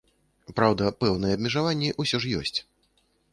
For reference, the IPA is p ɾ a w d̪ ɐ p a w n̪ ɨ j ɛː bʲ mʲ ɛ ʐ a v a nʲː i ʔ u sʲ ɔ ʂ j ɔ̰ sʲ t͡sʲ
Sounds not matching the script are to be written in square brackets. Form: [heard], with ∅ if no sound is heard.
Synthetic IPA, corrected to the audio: p ɾ a w d̪ ɐ p [ɛ] w n̪ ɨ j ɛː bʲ mʲ ɛ ʐ a v a nʲː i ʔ u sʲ ɔ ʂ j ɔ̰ sʲ t͡sʲ